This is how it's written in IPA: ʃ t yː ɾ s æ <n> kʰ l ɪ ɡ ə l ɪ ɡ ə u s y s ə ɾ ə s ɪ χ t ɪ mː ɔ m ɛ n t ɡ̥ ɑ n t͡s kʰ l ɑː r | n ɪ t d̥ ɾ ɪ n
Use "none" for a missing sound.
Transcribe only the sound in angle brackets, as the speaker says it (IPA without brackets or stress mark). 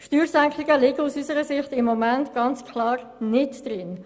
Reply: ŋ